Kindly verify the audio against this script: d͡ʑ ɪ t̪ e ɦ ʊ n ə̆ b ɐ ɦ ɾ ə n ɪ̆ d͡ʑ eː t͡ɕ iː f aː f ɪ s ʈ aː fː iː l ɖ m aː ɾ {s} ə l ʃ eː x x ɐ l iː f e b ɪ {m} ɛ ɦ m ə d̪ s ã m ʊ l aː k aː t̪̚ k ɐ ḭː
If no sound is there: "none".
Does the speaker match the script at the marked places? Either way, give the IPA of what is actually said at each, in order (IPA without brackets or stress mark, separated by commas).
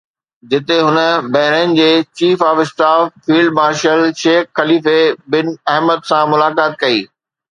ʃ, n